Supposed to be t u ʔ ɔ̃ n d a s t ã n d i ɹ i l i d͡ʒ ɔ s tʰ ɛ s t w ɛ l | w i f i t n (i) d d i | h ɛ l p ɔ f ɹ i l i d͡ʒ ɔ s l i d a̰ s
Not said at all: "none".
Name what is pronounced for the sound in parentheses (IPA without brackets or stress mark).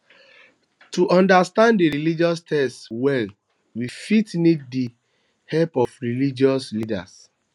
i